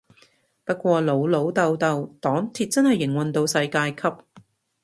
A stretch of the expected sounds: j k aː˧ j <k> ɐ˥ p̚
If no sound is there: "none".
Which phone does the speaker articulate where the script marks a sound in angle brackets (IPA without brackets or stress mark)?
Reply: kʰ